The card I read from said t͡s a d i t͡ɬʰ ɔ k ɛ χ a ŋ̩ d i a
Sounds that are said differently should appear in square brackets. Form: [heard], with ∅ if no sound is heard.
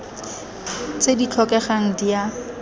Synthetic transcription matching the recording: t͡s [e] d i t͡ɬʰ ɔ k ɛ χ a ŋ̩ d i a

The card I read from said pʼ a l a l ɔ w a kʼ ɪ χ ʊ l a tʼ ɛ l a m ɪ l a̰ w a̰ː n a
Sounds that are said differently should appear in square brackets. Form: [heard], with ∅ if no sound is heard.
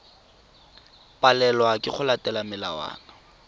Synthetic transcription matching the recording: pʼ a l [ɛ] l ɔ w a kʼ ɪ χ ʊ l a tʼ ɛ l a m ɪ l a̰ w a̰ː n a

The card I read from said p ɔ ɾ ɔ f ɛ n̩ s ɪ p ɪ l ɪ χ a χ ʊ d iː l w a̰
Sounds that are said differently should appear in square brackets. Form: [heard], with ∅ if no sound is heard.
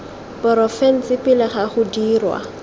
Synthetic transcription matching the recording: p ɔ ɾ ɔ f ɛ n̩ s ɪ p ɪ l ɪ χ a χ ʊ d iː [r] w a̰

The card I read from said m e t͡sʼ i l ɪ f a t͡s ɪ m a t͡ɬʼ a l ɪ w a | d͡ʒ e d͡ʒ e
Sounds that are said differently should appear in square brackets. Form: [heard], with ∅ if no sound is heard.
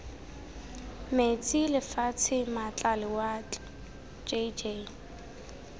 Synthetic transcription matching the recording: m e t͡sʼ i l ɪ f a [t͡sʰ] ɪ m a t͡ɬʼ a l ɪ w a | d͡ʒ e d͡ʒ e

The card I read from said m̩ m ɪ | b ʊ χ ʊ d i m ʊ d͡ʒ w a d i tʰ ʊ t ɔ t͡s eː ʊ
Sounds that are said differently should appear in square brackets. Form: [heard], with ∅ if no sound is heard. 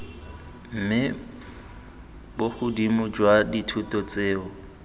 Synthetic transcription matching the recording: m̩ m ɪ | b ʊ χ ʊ d i m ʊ d͡ʒ w a d i tʰ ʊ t ɔ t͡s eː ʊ

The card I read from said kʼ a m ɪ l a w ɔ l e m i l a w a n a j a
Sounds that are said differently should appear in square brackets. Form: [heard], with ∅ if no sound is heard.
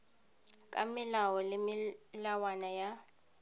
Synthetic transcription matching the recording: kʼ a m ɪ l a w ɔ l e m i l a w a n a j a

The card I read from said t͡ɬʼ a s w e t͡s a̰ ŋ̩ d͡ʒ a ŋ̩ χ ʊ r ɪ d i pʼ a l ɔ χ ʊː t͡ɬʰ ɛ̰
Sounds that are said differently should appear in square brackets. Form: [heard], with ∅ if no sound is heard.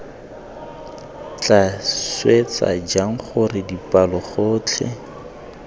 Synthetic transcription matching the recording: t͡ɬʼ a s w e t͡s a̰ [∅] d͡ʒ a ŋ̩ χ ʊ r ɪ d i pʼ a l ɔ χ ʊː t͡ɬʰ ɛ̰

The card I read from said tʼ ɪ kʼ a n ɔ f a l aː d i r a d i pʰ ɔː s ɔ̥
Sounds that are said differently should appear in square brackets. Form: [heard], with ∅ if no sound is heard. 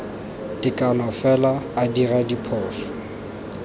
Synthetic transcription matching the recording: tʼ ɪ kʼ a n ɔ f [ɛ] l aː d i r a d i pʰ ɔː s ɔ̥

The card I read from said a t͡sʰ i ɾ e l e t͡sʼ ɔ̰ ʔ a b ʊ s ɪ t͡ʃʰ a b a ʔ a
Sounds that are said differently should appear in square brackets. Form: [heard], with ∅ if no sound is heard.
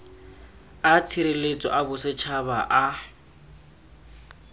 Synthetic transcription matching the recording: a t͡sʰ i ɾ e l e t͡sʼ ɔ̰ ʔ a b ʊ s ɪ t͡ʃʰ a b a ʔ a

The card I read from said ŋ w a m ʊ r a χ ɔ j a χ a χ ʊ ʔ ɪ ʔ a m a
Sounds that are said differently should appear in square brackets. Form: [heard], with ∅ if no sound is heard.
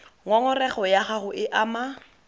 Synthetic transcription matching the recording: ŋ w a [ŋ] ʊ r [ɛ] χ ɔ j a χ a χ ʊ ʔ ɪ ʔ a m a

